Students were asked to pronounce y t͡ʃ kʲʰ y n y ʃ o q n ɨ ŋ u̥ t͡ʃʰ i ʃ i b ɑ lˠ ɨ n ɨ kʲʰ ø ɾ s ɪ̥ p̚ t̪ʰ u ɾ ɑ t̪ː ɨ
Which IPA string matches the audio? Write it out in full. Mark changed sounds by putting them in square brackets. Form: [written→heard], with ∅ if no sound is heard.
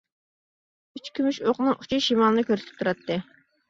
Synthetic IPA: y t͡ʃ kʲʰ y [n→m] y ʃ o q n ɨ ŋ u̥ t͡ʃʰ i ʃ i [b→m] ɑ lˠ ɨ n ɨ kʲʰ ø ɾ s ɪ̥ p̚ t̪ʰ u ɾ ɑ t̪ː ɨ